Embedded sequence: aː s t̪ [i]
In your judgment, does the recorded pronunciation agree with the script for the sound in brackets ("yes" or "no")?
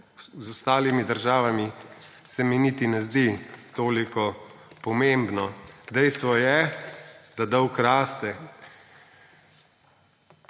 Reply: no